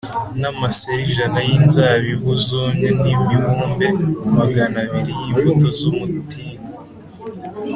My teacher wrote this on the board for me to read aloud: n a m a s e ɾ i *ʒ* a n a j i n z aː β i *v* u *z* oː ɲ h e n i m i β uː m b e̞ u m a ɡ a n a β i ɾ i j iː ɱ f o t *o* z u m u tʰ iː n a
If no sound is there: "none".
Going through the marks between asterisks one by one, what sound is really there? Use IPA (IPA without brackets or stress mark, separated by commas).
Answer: ʒ, β, z, o